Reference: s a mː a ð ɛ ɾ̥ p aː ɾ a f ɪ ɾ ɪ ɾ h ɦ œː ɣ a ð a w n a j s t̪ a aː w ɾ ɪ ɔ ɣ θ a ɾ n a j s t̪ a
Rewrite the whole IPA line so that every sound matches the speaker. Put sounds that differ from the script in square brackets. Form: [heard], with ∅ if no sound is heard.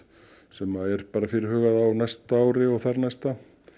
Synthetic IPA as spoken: s [ɛ] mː a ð ɛ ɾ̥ p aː ɾ a f ɪ ɾ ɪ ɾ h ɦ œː ɣ a ð a w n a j s t̪ a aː w ɾ ɪ ɔ ɣ θ a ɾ n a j s t̪ a